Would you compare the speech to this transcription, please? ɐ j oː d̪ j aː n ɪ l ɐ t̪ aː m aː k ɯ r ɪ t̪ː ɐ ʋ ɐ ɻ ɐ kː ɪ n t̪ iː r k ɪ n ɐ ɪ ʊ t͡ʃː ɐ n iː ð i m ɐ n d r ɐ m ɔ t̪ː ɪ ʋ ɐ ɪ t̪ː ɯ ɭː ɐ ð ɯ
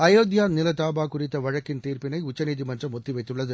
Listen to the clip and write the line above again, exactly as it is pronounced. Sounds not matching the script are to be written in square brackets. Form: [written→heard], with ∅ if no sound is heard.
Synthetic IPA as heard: ɐ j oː d̪ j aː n ɪ l ɐ t̪ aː [m→b] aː k [ɯ→ʊ] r ɪ t̪ː ɐ ʋ ɐ ɻ ɐ kː ɪ n t̪ iː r [k→p] ɪ n ɐ ɪ ʊ t͡ʃː ɐ n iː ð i m ɐ n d r ɐ m ɔ t̪ː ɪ ʋ ɐ ɪ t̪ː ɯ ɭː ɐ ð ɯ